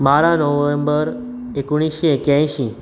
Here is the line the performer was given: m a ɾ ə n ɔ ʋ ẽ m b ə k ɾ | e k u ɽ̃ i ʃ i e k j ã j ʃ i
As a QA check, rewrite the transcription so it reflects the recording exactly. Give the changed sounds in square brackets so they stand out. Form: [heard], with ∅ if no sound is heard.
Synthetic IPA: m a ɾ [a] n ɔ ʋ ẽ m b ə [∅] ɾ | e k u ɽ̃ i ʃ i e k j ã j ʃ i